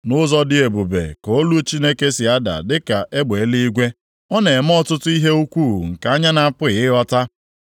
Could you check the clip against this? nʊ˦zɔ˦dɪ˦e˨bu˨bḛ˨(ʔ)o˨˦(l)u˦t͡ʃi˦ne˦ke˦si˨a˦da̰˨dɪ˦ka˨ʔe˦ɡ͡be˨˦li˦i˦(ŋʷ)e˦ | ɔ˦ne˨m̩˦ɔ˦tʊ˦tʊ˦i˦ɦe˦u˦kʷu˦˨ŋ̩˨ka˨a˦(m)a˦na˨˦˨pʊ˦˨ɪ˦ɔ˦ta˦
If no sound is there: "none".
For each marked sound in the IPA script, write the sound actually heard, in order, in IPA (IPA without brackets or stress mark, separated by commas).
k, l, ɡʷ, ɲ